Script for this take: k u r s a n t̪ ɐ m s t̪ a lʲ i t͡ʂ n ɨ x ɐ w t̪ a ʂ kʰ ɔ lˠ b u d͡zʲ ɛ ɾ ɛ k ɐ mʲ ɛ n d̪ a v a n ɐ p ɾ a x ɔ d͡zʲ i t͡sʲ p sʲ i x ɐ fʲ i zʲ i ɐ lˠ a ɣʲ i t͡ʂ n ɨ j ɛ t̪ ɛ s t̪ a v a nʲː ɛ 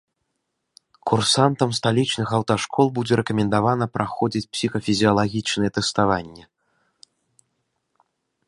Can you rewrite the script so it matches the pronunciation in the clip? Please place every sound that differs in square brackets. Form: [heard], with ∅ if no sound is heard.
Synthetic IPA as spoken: k u r s a n t̪ ɐ m s t̪ a lʲ i t͡ʂ n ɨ x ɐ w t̪ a ʂ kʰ ɔ lˠ b u d͡zʲ ɛ ɾ ɛ k ɐ mʲ ɛ n d̪ a v a n ɐ p ɾ a x ɔ d͡zʲ i t͡sʲ p sʲ i x ɐ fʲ i zʲ i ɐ lˠ a ɣʲ i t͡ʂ n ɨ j ɛ t̪ ɛ s t̪ a v a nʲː ɛ